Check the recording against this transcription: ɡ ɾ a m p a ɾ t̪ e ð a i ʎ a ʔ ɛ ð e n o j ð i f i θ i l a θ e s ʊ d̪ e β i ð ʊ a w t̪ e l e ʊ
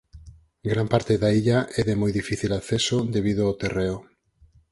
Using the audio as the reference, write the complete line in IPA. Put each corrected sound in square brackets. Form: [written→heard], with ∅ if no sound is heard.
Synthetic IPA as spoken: ɡ ɾ a m p a ɾ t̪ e ð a i ʎ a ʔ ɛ ð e [n→m] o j ð i f i θ i l a θ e s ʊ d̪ e β i ð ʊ a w t̪ e [l→r] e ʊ

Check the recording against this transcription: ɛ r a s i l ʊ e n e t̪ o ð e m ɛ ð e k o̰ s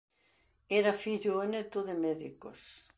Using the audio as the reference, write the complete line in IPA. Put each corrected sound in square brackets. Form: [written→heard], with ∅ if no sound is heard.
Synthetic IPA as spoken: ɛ [r→ɾ] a [s→f] i [l→ʎ] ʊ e n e t̪ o ð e m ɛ ð [e→i] k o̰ s

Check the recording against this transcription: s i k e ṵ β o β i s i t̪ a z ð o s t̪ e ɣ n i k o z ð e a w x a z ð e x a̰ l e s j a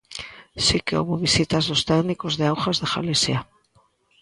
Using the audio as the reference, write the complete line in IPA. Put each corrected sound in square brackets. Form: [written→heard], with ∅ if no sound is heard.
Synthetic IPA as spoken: s i k e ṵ β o β i s i t̪ a z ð o s t̪ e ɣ n i k o z ð e a w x a z ð e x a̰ l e s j a

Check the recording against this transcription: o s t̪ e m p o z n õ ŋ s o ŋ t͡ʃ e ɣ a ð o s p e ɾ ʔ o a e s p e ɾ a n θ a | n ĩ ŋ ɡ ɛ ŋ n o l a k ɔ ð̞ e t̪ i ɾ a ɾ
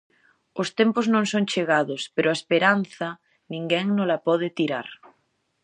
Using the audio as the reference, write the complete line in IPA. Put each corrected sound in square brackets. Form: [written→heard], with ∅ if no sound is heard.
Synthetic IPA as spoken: o s t̪ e m p o z n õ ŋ s o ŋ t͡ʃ e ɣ a ð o s p e ɾ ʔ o a e s p e ɾ a n θ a | n ĩ ŋ ɡ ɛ ŋ n o l a [k→p] ɔ ð̞ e t̪ i ɾ a ɾ

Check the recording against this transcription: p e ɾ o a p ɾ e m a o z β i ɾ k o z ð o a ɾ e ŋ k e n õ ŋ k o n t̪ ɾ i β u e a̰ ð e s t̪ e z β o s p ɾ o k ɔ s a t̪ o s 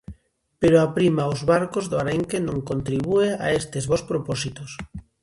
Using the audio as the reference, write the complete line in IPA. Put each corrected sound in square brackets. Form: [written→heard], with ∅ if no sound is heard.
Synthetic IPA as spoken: p e ɾ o a p ɾ [e→i] m a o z β [i→a] ɾ k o z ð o a ɾ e ŋ k e n õ ŋ k o n t̪ ɾ i β u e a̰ [ð→∅] e s t̪ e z β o s p ɾ o [k→p] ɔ s [a→i] t̪ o s

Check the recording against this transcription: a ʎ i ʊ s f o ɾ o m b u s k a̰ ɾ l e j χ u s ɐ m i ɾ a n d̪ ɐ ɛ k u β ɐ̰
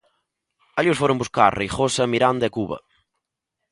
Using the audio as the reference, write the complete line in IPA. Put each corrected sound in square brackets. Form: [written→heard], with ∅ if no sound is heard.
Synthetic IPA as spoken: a ʎ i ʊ s f o ɾ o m b u s k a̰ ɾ [l→r] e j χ [u→o] s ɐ m i ɾ a n d̪ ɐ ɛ k u β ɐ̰

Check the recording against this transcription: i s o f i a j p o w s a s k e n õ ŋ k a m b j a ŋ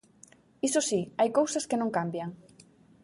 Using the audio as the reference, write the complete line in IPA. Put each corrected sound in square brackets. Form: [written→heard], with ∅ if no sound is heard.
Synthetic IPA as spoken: i s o [f→s] i a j [p→k] o w s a s k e n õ ŋ k a m b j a ŋ

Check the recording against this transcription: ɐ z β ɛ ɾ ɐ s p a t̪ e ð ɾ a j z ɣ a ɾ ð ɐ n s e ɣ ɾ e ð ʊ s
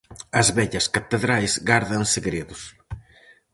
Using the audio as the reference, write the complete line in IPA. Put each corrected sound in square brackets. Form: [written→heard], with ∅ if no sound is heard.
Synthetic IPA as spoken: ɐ z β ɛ [ɾ→ʎ] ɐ s [p→k] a t̪ e ð ɾ a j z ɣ a ɾ ð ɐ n s e ɣ ɾ e ð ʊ s

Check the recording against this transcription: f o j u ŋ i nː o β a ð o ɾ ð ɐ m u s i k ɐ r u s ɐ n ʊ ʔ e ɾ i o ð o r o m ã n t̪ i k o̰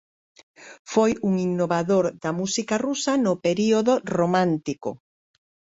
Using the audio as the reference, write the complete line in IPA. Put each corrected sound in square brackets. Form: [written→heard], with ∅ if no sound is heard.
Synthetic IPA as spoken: f o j u ŋ i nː o β a ð o ɾ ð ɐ m u s i k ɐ r u s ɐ n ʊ [ʔ→p] e ɾ i o ð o r o m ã n t̪ i k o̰

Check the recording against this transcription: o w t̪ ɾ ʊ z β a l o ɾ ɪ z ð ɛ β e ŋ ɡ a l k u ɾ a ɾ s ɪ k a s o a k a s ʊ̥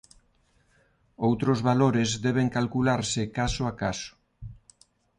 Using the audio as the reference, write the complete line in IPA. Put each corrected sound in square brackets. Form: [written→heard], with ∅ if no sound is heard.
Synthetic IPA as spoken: o w t̪ ɾ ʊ z β a l o ɾ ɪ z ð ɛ β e ŋ [ɡ→k] a l k u [ɾ→l] a ɾ s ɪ k a s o a k a s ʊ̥

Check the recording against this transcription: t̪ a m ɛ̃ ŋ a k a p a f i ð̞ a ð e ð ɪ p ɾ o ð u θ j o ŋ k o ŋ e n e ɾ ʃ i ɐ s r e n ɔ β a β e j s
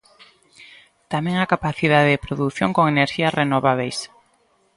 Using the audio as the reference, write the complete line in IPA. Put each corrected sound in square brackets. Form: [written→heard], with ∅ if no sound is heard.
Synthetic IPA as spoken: t̪ a m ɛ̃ ŋ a k a p a [f→θ] i ð̞ a ð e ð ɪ p ɾ o ð u θ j o ŋ k o ŋ e n e ɾ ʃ i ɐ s r e n [ɔ→o] β a β e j s

